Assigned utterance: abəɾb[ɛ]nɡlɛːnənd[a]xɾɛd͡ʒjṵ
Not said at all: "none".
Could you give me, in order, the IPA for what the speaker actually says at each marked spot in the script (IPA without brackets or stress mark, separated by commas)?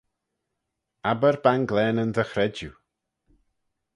a, ə